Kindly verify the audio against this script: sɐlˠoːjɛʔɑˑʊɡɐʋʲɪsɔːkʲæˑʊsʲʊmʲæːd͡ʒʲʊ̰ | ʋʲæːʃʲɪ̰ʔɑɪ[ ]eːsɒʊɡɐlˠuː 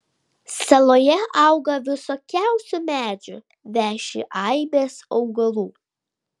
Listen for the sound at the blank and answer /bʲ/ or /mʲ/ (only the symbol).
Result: bʲ